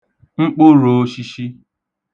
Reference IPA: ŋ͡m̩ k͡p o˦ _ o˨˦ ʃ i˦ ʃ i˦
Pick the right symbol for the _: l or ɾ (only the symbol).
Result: ɾ